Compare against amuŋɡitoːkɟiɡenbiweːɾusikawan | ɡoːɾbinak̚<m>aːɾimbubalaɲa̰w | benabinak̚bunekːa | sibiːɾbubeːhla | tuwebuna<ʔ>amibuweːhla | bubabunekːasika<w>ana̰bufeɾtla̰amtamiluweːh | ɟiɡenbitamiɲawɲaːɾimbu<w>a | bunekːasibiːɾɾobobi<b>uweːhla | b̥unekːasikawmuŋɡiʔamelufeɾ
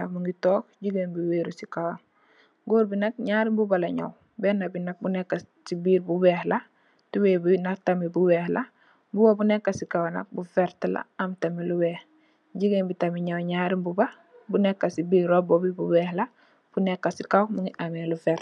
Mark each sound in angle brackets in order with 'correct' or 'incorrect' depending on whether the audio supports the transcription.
incorrect, incorrect, correct, incorrect, correct

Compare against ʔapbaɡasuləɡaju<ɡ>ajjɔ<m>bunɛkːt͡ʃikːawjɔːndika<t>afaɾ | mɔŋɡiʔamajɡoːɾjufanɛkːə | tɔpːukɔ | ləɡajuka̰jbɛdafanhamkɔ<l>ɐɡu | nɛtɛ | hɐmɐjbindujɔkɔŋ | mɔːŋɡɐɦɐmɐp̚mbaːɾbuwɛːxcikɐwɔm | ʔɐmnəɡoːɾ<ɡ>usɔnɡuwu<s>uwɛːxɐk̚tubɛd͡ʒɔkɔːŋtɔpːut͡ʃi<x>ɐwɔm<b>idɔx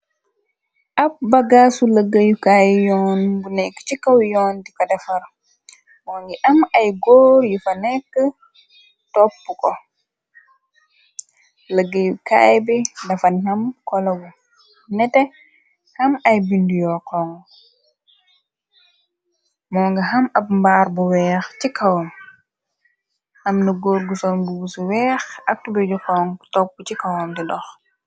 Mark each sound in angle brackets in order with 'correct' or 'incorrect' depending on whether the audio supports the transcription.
incorrect, incorrect, incorrect, correct, correct, correct, incorrect, incorrect

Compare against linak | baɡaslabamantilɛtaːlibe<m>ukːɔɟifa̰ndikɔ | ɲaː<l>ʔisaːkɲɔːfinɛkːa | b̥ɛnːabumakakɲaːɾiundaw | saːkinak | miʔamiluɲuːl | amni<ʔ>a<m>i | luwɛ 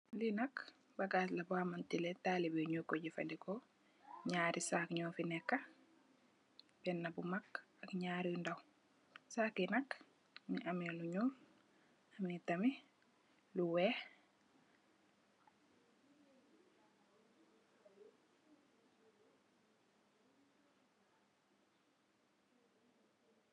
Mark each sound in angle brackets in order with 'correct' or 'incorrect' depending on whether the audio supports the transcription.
incorrect, incorrect, incorrect, correct

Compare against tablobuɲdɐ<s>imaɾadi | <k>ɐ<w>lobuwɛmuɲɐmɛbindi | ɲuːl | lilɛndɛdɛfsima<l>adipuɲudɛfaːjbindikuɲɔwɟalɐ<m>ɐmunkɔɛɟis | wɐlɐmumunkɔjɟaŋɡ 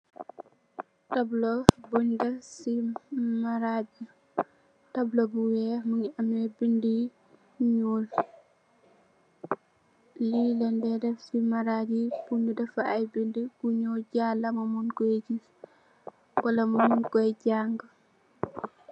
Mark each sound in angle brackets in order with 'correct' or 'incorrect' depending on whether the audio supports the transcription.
correct, incorrect, incorrect, incorrect, correct

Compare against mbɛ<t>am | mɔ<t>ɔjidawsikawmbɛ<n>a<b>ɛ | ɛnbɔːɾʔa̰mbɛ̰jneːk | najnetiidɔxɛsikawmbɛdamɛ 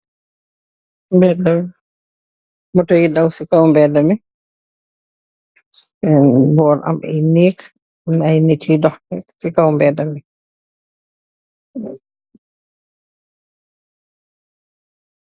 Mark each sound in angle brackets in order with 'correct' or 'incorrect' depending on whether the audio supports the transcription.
incorrect, correct, incorrect, incorrect

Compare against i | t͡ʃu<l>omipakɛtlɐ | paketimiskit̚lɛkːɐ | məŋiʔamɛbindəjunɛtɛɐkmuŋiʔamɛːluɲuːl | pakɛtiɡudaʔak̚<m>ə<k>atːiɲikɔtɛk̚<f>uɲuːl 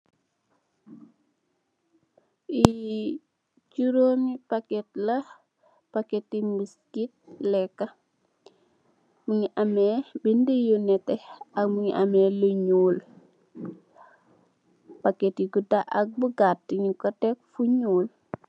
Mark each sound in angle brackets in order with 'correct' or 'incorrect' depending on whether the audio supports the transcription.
incorrect, incorrect, incorrect, correct

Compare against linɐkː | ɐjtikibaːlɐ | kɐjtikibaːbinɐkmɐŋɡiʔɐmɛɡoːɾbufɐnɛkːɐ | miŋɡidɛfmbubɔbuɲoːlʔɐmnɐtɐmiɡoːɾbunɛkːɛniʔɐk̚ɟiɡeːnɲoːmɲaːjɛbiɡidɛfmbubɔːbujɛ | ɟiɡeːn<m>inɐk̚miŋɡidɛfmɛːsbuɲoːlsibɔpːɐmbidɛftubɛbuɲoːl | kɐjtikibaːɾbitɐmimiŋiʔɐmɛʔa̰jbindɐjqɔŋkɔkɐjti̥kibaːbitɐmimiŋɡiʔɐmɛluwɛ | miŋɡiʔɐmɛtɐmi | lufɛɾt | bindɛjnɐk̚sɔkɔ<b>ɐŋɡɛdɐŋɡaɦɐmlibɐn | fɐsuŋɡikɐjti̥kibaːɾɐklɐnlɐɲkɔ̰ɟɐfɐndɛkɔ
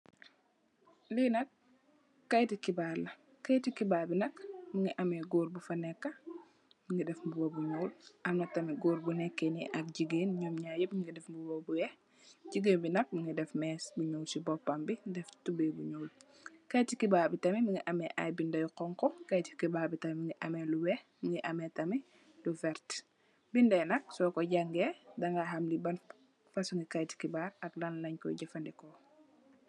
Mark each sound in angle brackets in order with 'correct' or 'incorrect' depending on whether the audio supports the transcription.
incorrect, incorrect

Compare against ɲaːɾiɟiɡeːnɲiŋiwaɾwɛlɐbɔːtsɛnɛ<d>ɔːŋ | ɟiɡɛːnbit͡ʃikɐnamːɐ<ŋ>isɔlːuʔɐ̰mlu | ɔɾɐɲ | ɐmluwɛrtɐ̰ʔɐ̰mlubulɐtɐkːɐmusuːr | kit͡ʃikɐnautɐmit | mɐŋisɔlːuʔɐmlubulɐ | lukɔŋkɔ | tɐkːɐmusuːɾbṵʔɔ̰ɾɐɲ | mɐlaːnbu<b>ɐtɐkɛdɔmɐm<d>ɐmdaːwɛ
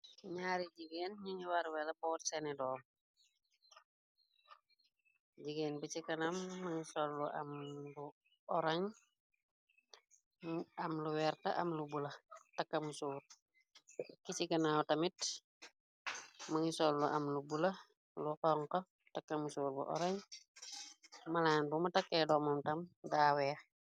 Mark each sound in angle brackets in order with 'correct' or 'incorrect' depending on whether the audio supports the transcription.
correct, correct, incorrect, incorrect

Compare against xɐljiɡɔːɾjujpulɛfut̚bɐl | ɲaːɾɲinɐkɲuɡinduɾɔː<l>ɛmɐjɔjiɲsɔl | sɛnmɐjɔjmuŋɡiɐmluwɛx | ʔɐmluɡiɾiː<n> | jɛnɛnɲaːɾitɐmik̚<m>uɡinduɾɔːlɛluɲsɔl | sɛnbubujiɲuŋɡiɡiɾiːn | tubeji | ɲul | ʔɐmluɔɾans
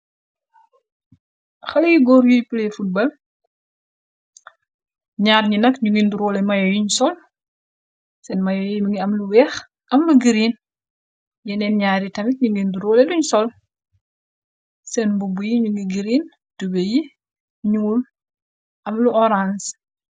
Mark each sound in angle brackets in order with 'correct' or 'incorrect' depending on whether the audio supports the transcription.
correct, correct, incorrect

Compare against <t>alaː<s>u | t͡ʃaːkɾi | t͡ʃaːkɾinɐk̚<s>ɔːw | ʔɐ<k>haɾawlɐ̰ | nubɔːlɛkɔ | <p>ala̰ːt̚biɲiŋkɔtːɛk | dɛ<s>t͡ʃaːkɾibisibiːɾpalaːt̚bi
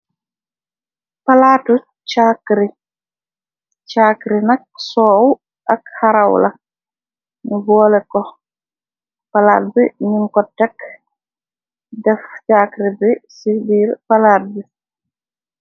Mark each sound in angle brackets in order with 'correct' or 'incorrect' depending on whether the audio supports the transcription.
incorrect, incorrect, correct, correct, correct, incorrect

